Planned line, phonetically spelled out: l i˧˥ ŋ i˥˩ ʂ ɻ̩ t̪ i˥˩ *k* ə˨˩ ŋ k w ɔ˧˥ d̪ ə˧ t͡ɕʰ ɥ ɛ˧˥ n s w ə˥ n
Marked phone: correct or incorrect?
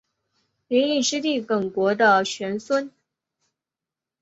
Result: correct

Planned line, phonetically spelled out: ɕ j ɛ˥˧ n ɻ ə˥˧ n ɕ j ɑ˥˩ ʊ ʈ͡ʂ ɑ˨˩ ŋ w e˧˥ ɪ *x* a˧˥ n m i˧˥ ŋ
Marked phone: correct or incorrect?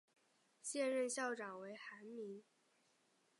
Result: correct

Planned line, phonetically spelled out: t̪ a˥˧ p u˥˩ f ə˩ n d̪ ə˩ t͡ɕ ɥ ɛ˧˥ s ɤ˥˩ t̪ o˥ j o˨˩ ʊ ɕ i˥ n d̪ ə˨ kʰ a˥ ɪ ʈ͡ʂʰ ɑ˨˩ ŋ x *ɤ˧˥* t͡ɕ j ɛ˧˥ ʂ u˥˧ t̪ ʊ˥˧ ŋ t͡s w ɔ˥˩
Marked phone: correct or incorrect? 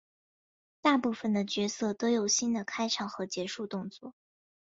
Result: correct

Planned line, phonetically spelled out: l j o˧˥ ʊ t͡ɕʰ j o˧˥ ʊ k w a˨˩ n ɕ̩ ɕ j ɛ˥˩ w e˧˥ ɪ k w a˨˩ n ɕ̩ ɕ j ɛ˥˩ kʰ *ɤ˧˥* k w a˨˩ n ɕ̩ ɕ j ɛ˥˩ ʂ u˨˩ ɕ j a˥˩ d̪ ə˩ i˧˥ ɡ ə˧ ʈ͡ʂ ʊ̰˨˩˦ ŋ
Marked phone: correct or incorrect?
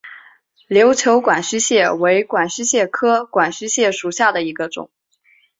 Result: incorrect: ɤ˥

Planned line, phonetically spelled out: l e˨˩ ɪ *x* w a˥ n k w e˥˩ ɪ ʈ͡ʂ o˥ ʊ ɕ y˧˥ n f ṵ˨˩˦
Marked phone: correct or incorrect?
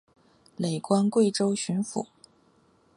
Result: incorrect: k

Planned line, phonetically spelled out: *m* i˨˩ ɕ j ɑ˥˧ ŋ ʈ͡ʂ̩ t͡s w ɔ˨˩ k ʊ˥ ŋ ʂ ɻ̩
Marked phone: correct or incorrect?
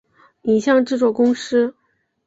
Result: incorrect: n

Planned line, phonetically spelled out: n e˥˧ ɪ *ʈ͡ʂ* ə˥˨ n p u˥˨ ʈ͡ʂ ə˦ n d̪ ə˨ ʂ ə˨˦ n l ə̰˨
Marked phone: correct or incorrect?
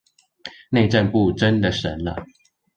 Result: correct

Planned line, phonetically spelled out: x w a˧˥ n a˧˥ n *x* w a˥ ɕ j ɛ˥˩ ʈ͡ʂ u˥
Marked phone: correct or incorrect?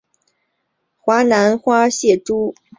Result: correct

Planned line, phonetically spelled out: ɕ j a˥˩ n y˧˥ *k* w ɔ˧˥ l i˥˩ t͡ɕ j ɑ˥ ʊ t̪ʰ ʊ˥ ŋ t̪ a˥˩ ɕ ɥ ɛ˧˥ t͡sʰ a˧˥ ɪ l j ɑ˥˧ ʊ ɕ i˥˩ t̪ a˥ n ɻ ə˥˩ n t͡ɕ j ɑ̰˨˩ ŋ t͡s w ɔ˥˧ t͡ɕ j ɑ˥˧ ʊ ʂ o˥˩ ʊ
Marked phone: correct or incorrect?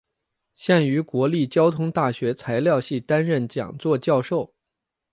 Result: correct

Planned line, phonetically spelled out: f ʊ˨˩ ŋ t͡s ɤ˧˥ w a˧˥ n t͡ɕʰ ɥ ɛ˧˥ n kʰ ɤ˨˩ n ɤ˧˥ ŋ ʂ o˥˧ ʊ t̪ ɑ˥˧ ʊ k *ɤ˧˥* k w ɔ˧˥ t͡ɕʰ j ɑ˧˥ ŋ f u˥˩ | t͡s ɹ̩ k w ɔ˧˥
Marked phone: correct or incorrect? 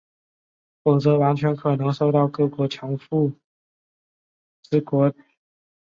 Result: incorrect: ɤ˥˩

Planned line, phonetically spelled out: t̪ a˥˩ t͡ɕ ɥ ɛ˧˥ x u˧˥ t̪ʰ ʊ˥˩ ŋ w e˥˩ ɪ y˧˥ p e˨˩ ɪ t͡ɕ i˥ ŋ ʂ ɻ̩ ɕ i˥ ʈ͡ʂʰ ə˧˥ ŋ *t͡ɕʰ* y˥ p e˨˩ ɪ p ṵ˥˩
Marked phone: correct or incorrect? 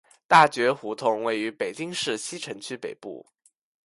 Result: correct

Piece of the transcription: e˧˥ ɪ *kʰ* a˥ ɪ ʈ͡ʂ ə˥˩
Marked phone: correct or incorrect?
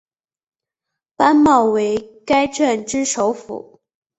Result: incorrect: k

